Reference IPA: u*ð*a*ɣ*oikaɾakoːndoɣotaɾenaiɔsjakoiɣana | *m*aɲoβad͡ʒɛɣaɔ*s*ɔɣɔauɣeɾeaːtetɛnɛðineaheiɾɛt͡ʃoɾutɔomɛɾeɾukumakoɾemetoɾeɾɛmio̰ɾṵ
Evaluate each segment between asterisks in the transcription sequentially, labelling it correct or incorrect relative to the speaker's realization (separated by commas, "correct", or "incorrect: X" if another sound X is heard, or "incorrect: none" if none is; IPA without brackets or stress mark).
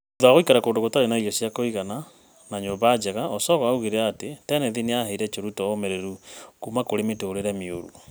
correct, correct, incorrect: n, correct